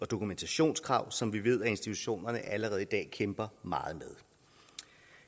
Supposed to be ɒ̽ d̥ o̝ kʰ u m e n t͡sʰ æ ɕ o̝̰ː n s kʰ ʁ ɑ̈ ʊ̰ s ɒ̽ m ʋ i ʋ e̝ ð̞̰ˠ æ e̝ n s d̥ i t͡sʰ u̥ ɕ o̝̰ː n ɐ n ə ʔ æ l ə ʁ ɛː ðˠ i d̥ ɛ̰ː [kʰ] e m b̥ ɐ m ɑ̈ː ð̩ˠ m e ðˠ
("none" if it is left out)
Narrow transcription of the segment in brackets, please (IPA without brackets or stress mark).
kʰ